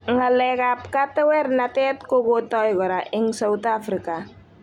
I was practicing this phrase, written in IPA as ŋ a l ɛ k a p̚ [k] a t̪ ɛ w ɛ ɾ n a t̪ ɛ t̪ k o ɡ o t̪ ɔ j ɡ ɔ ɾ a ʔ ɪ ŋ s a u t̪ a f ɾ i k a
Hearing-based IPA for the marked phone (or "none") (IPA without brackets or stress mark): k